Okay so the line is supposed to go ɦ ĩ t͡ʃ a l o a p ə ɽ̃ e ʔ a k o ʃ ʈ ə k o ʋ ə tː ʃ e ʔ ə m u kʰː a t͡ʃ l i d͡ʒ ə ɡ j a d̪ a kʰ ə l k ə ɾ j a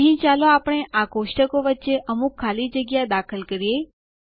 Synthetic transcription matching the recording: ɦ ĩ t͡ʃ a l o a p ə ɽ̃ e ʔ a k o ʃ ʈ ə k o ʋ ə tː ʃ e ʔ ə m u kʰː a l i d͡ʒ ə ɡ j a d̪ a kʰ ə l k ə ɾ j e